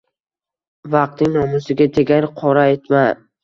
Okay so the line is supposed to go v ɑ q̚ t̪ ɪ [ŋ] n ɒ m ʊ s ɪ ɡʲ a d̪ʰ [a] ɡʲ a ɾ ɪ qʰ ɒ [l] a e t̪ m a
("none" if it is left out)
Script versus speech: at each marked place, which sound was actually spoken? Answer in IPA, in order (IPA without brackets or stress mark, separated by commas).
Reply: ŋ, e, ɾ